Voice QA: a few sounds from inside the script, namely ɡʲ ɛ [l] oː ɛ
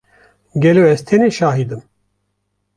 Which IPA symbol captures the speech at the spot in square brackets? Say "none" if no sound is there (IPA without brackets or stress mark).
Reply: l